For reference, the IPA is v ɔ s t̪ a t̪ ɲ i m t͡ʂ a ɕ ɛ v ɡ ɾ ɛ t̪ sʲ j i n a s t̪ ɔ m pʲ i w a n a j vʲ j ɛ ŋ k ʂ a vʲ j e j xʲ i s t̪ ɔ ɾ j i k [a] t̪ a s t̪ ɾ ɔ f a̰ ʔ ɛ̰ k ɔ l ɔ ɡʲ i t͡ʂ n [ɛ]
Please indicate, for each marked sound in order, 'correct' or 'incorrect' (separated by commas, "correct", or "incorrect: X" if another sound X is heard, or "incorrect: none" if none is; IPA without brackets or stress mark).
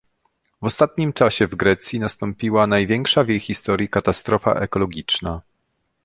correct, incorrect: a